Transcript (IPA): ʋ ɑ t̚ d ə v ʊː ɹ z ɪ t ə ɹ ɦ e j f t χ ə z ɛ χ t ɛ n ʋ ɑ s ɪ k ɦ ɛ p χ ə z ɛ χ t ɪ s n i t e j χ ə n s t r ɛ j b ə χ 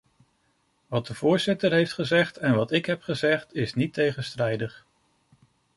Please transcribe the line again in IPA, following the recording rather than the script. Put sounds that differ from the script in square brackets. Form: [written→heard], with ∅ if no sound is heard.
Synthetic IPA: ʋ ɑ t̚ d ə v ʊː ɹ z ɪ t ə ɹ ɦ e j f t χ ə z ɛ χ t ɛ n ʋ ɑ [s→t] ɪ k ɦ ɛ p χ ə z ɛ χ t ɪ s n i t e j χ ə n s t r ɛ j [b→d] ə χ